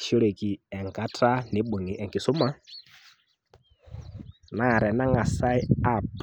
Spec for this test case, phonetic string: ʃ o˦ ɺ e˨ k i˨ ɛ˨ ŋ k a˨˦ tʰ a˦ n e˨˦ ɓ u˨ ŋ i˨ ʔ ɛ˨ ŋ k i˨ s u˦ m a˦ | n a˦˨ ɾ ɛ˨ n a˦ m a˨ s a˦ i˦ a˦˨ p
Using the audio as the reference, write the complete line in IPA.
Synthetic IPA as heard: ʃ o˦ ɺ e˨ k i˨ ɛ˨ ŋ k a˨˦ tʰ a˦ n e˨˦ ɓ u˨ ŋ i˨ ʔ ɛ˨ ŋ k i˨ s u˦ m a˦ | n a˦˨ ɾ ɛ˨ n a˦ ŋ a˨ s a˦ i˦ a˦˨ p